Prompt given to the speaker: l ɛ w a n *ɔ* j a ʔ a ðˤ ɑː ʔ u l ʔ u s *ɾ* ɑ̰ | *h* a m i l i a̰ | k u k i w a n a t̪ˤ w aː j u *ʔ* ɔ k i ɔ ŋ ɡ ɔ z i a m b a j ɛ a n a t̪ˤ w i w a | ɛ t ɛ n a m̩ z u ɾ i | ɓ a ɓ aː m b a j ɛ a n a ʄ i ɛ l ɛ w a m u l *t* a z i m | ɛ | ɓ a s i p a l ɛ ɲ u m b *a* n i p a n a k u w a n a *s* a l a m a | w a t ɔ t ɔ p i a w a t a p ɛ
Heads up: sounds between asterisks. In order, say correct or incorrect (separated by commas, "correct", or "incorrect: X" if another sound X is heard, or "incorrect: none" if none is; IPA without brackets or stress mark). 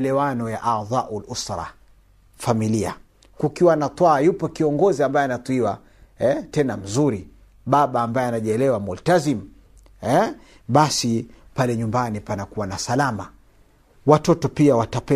correct, correct, incorrect: f, incorrect: p, correct, correct, correct